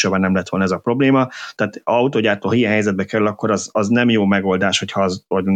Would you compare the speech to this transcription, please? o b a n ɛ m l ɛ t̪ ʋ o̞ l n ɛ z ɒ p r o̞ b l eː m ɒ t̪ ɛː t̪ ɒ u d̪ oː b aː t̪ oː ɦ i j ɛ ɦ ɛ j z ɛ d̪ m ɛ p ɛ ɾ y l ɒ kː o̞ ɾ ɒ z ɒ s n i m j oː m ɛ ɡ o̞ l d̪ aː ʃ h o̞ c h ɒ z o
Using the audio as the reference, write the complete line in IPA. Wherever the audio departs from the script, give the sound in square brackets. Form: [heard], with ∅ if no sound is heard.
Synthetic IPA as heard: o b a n ɛ m l ɛ t̪ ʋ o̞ l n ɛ z ɒ p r o̞ b l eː m ɒ t̪ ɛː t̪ ɒ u [t̪] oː [ɟ] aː t̪ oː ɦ i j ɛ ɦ ɛ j z ɛ d̪ [b] ɛ [k] ɛ ɾ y l ɒ kː o̞ ɾ ɒ z ɒ [z] n [ɛ] m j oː m ɛ ɡ o̞ l d̪ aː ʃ h o̞ c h ɒ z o